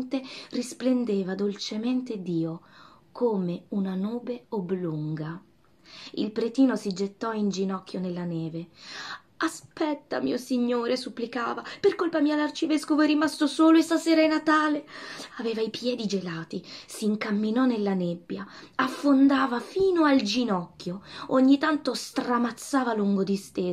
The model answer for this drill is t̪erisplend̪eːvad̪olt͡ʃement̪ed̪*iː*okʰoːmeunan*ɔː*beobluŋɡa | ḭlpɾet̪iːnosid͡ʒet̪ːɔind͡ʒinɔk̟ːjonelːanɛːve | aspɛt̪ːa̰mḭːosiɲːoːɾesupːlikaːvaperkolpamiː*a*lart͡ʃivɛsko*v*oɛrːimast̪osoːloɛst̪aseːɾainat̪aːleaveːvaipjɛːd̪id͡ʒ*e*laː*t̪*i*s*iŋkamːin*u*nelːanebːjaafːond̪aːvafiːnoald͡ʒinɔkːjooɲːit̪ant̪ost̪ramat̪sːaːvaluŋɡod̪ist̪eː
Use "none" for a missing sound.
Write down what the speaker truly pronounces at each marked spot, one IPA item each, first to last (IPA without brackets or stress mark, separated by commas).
iː, uː, a, v, e, t̪, s, ɔ